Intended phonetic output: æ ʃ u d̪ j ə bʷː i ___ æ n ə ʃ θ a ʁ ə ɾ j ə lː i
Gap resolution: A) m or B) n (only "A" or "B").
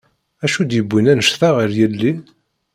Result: B